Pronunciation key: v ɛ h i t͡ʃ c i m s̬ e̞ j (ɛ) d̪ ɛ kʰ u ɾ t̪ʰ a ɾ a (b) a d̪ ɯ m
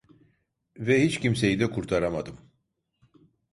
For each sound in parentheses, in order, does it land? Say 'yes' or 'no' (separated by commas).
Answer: no, no